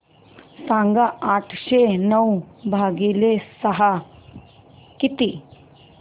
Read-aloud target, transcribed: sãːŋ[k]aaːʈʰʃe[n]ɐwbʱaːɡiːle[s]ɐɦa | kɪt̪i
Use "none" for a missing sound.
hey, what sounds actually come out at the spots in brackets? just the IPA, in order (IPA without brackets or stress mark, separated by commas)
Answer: ɡ, n, s